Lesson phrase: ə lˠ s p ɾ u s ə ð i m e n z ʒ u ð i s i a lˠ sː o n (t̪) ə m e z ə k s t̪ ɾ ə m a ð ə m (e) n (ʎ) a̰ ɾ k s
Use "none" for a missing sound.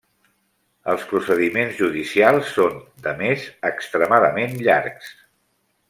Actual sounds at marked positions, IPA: d̪, e, ʎ

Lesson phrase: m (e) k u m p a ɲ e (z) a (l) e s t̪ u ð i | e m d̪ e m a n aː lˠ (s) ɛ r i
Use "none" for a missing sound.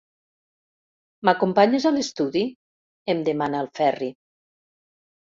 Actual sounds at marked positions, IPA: a, z, l, f

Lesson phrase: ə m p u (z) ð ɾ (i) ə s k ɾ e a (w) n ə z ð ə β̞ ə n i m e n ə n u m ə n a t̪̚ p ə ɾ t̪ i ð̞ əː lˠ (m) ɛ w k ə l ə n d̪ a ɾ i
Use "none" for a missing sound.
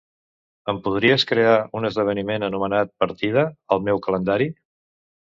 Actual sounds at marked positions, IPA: none, i, u, m

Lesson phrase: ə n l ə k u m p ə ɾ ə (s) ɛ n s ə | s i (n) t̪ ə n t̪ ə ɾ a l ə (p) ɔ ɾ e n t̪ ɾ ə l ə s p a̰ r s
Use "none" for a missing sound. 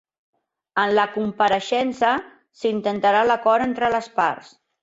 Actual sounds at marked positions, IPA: ʃ, n, k

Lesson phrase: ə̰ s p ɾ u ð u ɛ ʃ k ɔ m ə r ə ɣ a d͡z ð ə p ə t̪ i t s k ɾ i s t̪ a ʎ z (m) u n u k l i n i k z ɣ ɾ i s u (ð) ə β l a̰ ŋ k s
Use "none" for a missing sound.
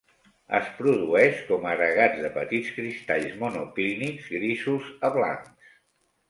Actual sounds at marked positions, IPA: m, z

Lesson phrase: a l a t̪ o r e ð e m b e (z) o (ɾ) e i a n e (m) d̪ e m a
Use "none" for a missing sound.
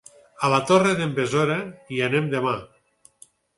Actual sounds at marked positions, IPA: z, ɾ, m

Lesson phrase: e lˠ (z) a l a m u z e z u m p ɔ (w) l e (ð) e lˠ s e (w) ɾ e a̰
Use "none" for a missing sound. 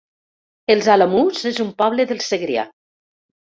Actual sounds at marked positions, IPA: z, β, ð, ɣ

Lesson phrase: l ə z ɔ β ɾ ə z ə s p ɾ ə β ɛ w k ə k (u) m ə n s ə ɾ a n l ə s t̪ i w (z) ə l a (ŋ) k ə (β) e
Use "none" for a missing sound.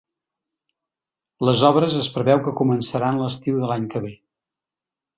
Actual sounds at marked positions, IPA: u, ð, ɲ, β

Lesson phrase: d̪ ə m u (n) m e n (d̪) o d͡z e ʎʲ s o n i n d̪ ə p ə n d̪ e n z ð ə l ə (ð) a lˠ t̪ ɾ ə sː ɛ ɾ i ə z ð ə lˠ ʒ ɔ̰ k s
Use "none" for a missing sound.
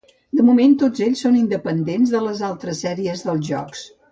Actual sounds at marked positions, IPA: none, t̪, z

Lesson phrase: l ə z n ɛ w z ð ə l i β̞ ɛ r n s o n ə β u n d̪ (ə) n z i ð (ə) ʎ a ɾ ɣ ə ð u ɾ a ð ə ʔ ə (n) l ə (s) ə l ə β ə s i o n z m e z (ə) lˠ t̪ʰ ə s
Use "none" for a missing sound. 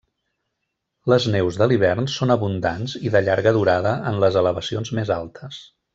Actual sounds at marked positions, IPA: a, ə, n, z, a

